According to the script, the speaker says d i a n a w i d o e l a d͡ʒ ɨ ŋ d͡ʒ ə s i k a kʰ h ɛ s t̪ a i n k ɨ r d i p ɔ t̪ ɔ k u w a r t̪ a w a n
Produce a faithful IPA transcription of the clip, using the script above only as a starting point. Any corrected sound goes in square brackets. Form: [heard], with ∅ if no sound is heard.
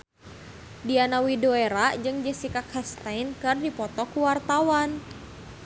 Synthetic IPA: d i a n a w i d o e [ɾ] a d͡ʒ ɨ ŋ d͡ʒ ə s i k a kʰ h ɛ s t̪ a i n k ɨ r d i p ɔ t̪ ɔ k u w a r t̪ a w a n

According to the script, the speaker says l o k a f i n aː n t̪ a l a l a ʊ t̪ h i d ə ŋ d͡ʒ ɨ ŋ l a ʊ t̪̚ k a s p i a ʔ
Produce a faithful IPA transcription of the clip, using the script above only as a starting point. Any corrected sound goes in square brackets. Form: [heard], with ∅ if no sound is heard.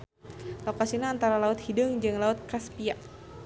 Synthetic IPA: l o k a [s] i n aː n t̪ a [ɾ] a l a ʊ t̪ h i d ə ŋ d͡ʒ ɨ ŋ l a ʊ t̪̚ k a s p i a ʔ

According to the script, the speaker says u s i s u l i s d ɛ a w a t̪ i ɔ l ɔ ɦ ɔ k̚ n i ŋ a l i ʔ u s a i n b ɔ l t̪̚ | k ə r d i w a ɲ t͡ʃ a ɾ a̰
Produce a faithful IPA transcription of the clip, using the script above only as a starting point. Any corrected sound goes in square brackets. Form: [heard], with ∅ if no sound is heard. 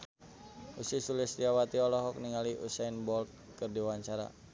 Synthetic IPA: u s i s u l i s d [i] a w a t̪ i ɔ l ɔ ɦ ɔ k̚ n i ŋ a l i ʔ u s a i n b ɔ l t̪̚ | k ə r d i w a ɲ t͡ʃ a ɾ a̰

